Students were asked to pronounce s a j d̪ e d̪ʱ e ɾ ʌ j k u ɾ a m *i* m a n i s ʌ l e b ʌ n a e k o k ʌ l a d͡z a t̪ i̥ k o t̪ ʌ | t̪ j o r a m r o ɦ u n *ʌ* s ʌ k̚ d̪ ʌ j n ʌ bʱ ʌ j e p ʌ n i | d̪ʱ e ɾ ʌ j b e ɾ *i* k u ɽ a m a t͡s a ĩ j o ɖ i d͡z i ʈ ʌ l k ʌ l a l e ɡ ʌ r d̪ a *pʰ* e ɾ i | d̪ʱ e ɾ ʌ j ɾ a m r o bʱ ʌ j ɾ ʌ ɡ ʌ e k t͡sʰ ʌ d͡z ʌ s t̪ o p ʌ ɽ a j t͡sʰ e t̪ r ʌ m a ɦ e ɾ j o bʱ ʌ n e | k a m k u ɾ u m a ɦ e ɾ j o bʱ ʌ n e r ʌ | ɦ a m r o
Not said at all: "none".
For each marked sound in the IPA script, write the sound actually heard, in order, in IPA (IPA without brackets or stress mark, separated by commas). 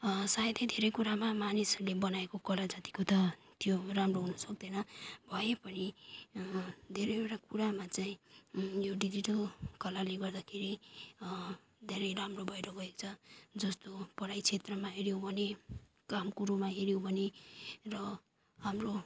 a, ʌ, a, kʰ